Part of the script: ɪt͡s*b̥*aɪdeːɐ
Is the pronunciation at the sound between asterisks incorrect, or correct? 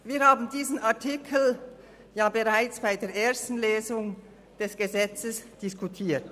correct